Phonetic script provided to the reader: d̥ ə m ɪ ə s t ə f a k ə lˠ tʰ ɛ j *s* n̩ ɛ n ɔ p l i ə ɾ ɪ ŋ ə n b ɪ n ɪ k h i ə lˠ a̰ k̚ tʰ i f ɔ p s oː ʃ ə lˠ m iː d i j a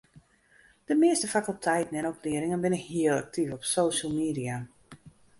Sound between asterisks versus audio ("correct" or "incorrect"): incorrect